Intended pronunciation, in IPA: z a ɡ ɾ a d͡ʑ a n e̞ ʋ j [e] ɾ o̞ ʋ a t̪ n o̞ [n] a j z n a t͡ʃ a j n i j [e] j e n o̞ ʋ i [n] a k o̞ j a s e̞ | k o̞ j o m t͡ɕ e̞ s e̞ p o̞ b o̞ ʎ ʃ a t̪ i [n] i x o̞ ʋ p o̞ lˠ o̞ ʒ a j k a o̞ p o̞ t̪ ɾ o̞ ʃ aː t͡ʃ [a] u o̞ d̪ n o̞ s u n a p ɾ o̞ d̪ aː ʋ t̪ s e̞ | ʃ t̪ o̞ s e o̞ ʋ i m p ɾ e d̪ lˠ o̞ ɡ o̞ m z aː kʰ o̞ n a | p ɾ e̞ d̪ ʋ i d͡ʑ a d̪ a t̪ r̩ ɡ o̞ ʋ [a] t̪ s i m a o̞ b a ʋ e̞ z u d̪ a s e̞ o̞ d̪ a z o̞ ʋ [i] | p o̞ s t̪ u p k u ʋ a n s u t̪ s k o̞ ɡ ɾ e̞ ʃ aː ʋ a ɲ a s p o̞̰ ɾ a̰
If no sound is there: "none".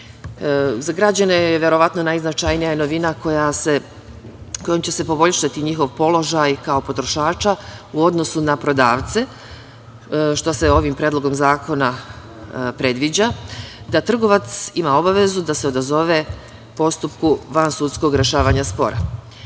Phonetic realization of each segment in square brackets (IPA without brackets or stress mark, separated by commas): e, n, a, n, ɲ, a, a, e